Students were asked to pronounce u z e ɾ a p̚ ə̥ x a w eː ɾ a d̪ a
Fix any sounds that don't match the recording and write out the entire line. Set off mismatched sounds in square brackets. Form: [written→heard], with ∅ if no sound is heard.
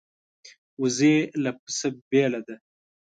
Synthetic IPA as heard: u z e [ɾ→l] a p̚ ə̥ [x→s] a [w→b] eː [ɾ→l] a d̪ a